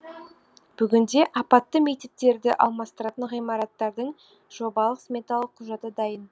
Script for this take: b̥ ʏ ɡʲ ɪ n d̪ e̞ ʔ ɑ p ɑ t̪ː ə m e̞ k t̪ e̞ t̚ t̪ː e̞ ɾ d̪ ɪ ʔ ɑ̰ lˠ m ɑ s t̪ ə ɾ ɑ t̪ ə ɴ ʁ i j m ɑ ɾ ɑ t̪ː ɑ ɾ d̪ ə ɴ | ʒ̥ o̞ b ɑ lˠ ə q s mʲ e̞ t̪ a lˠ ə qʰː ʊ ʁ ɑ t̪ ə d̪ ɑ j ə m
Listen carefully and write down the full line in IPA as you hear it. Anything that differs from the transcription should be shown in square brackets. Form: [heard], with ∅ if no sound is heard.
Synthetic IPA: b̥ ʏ ɡʲ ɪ n d̪ e̞ ʔ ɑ p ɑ t̪ː ə m e̞ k t̪ e̞ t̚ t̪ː e̞ ɾ d̪ ɪ ʔ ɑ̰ lˠ m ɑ s t̪ ə ɾ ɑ t̪ ə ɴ ʁ i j m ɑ ɾ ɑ t̪ː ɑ ɾ d̪ ə ɴ | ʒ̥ o̞ b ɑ lˠ ə q s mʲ e̞ t̪ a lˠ ə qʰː ʊ [ʒ] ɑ t̪ ə d̪ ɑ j ə [n]